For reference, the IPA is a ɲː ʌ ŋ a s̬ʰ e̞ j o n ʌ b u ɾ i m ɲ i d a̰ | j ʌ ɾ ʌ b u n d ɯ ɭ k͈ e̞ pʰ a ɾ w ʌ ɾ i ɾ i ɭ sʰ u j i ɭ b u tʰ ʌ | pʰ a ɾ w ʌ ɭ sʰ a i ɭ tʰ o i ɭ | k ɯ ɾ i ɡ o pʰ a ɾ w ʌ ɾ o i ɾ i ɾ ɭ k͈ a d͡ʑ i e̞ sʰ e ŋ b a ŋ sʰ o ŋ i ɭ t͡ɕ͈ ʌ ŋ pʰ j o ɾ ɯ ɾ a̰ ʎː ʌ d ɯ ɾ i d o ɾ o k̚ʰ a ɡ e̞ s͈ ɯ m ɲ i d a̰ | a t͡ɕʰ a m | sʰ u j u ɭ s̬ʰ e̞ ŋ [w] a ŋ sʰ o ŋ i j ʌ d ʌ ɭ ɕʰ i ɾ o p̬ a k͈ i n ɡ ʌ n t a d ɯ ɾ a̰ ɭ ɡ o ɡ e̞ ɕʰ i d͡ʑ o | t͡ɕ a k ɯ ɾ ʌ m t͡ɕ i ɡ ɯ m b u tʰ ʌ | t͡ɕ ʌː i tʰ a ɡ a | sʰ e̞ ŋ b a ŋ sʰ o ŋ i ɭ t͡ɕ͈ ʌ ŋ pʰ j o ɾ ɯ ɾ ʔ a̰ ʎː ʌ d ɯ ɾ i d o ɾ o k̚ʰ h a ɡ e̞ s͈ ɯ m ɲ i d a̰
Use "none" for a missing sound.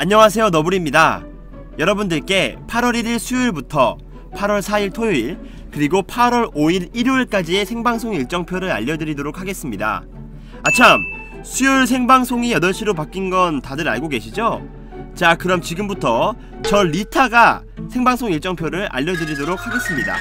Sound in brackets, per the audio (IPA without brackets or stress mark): b